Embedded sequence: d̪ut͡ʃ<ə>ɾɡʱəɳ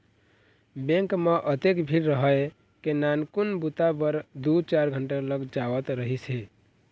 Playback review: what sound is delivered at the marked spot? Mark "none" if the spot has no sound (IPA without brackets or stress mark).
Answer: a